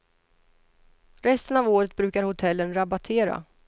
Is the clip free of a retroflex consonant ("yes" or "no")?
yes